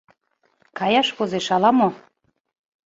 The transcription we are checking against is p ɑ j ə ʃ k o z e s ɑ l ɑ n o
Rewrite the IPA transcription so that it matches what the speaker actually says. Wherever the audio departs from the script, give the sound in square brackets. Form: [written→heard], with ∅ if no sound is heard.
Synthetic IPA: [p→k] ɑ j [ə→ɑ] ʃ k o z e [s→ʃ] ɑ l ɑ [n→m] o